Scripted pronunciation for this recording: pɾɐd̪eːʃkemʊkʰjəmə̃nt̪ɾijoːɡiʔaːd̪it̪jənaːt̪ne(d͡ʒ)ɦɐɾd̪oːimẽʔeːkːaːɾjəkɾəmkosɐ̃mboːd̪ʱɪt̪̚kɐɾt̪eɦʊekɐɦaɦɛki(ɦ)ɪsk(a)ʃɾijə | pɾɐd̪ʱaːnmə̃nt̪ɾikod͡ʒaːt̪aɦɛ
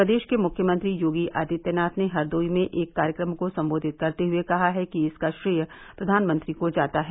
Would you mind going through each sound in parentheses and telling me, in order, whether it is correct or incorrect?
incorrect, incorrect, correct

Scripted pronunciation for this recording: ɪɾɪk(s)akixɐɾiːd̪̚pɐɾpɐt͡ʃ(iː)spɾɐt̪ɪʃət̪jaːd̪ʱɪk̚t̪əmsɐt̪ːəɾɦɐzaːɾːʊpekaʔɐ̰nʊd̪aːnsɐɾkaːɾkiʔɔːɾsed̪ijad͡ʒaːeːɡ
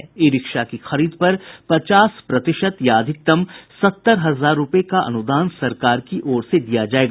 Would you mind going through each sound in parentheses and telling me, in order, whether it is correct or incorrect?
incorrect, incorrect

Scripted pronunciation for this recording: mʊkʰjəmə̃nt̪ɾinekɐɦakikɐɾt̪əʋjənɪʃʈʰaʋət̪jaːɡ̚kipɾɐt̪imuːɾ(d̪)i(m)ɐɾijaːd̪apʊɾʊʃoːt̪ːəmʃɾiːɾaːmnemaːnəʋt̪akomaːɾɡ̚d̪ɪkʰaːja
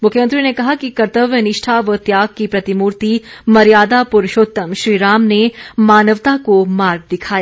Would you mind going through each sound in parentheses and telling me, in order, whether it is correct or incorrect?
incorrect, correct

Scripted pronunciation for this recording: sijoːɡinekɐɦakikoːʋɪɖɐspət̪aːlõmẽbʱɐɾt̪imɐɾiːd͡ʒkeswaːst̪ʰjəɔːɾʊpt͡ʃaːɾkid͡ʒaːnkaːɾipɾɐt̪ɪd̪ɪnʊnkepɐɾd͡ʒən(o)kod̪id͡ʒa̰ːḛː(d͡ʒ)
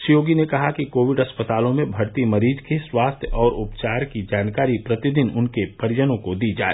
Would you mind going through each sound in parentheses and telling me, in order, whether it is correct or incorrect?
incorrect, incorrect

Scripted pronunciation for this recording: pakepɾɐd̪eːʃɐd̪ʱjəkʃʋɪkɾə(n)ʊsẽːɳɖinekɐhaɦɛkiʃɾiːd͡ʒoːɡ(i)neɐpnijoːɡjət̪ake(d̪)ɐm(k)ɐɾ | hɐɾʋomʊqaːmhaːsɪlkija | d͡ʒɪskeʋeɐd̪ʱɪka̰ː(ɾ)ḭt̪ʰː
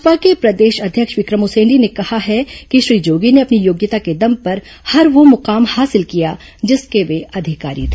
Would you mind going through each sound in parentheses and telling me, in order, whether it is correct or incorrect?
incorrect, correct, correct, incorrect, correct

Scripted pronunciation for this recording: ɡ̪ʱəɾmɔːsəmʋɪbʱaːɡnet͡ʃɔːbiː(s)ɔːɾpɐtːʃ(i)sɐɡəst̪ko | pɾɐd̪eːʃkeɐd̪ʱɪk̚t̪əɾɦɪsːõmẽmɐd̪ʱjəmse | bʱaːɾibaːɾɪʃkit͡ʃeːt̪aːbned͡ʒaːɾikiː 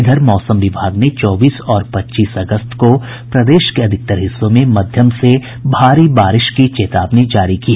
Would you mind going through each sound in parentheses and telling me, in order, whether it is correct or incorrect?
correct, incorrect

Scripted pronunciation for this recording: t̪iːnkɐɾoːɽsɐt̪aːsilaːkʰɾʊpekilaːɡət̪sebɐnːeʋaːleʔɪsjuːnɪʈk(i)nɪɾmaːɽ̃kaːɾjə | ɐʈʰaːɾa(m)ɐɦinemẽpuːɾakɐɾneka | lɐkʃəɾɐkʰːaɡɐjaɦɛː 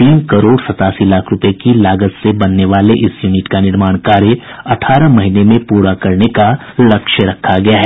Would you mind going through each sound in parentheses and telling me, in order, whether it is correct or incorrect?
incorrect, correct

